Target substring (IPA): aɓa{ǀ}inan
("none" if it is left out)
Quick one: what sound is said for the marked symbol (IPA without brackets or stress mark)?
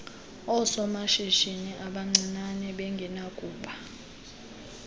ŋ͡ǀ